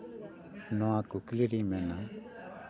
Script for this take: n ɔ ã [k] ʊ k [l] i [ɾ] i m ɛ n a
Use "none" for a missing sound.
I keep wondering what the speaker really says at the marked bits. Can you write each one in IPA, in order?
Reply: k, l, ɾ

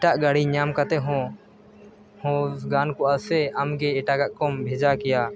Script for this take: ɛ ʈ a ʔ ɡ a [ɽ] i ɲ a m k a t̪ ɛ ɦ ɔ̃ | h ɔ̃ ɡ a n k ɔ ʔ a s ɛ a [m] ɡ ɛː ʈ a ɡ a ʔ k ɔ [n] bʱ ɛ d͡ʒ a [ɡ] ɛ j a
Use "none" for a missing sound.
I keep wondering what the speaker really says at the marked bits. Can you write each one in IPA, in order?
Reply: ɽ, m, m, k

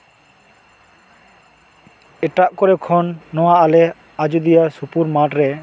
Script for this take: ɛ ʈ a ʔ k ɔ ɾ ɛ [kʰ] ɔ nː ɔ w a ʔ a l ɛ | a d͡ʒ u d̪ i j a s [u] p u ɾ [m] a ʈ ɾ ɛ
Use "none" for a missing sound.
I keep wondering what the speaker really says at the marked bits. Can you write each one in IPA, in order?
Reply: kʰ, u, m

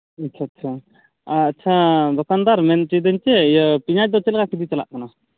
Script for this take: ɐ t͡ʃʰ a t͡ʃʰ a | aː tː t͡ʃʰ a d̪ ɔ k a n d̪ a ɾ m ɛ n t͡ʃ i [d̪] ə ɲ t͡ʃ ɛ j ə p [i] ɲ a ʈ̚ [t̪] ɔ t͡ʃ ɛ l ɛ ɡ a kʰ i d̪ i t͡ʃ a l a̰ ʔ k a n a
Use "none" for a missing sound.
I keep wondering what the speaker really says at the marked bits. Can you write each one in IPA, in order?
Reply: d̪, i, d̪

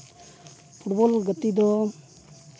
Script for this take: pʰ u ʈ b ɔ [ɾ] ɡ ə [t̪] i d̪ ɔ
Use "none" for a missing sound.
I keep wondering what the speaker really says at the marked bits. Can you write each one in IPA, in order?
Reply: l, t̪

